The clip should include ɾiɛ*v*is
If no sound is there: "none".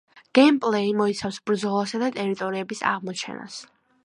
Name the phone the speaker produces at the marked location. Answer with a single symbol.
b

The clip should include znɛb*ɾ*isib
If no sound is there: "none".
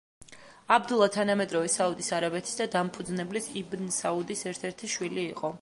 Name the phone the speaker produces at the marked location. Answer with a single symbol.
l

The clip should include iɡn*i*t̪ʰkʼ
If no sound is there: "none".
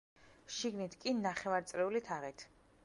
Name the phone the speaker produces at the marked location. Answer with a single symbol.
i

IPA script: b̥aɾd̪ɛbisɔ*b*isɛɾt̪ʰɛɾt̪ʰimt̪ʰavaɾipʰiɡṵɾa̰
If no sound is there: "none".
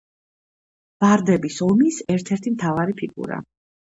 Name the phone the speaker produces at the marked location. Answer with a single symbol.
m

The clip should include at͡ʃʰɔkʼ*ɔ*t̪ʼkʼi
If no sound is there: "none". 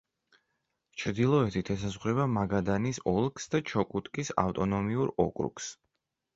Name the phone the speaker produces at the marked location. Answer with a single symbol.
u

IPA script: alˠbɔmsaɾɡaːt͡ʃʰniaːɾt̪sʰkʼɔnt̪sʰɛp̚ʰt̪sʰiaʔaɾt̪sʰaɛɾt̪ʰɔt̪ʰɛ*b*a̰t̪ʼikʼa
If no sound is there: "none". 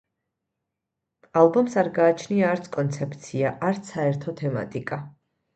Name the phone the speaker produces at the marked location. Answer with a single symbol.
m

